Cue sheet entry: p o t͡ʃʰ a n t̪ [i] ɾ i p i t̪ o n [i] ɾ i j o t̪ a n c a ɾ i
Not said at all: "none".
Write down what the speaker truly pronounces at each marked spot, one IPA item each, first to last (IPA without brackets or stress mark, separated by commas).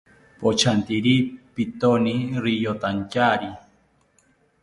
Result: i, i